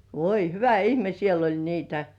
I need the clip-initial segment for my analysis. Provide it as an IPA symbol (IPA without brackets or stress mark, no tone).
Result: ʋ